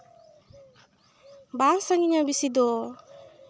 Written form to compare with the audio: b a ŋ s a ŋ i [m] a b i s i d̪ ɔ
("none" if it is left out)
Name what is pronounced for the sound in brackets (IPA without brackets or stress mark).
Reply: ɲ